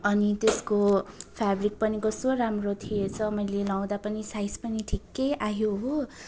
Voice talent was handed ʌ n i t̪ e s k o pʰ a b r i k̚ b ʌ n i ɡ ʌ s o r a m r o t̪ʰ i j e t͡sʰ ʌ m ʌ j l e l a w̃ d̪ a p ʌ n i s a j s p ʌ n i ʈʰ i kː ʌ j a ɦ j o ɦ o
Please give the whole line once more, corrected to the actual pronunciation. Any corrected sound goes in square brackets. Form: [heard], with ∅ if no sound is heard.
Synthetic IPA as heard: ʌ n i t̪ e s k o pʰ a b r i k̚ [p] ʌ n i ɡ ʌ s o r a m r o t̪ʰ i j e t͡sʰ ʌ m ʌ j l e l a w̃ d̪ a p ʌ n i s a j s p ʌ n i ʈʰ i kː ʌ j a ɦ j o ɦ o